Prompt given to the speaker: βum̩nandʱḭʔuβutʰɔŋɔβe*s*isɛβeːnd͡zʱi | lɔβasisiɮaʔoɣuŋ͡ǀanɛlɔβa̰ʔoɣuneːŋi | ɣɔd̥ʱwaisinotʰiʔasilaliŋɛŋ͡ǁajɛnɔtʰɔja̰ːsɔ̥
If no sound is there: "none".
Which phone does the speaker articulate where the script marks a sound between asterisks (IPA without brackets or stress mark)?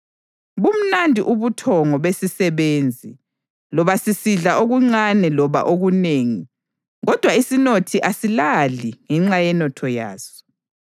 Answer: s